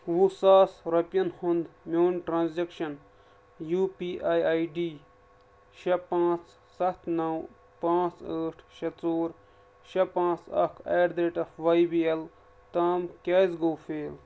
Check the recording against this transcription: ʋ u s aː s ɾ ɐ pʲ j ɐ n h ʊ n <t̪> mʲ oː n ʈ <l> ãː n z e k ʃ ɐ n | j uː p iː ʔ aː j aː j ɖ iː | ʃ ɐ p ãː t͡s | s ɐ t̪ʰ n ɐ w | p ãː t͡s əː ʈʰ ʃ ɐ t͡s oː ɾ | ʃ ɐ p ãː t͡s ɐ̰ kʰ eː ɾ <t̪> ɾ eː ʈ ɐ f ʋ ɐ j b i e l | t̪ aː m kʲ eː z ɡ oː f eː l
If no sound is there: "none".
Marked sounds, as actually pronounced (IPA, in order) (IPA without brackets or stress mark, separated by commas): d̪, ɾ, d̪